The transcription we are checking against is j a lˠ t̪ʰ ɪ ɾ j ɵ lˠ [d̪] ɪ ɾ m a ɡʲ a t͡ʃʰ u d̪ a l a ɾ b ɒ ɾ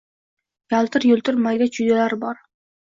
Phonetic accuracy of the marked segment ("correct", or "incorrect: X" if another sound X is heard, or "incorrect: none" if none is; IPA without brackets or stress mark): incorrect: t̪